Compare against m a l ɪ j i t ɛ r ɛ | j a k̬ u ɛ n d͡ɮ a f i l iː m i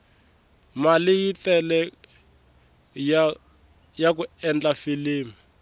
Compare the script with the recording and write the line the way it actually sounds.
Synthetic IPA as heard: m a l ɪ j i t ɛ l ɛ | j a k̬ u ɛ n d͡ɮ a f i l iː m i